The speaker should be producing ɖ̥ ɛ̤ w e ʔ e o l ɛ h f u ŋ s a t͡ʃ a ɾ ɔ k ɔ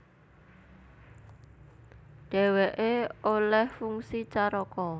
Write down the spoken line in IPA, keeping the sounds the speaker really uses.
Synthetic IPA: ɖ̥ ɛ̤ w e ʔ e o l ɛ h f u ŋ s i t͡ʃ a ɾ ɔ k ɔ